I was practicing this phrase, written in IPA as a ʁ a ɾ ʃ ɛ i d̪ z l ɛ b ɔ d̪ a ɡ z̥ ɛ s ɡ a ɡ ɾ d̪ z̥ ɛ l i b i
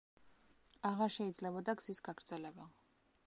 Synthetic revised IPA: a ʁ a ɾ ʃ ɛ i d̪ z l ɛ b ɔ d̪ a ɡ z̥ i s ɡ a ɡ ɾ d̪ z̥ ɛ l ɛ b a